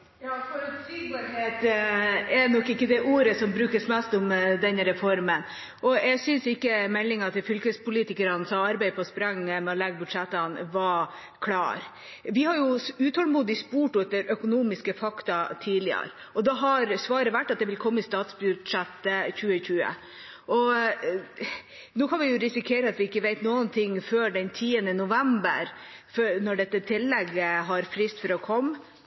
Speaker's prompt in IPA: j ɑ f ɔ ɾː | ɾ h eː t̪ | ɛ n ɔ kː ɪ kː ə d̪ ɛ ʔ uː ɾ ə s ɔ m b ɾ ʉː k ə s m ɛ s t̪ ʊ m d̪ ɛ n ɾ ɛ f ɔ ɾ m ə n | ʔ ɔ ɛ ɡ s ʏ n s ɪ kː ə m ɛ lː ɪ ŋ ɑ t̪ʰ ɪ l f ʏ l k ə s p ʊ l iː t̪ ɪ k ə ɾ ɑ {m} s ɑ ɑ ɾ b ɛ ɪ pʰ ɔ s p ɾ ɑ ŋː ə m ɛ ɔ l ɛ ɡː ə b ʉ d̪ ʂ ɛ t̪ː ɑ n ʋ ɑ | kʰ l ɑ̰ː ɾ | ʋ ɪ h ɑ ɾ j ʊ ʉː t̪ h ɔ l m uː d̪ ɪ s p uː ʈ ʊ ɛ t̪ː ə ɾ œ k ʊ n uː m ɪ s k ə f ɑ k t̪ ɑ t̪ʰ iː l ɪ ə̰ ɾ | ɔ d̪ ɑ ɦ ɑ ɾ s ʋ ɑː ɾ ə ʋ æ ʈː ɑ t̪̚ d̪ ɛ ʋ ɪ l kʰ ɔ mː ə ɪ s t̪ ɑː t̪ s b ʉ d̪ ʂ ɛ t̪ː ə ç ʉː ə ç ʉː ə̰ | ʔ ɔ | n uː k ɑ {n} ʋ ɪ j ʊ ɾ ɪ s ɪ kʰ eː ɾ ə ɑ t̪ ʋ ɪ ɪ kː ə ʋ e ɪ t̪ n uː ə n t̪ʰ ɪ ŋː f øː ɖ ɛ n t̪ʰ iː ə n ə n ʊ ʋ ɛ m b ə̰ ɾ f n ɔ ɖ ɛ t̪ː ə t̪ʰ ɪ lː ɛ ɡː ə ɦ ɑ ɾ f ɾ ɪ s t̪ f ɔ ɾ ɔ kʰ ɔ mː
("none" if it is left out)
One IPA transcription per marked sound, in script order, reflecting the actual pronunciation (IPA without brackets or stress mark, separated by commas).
n, n